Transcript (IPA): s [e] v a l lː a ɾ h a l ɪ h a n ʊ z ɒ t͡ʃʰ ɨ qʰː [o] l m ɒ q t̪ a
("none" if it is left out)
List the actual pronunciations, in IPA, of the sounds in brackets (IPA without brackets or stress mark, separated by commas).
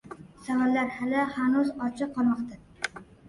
a, ɒ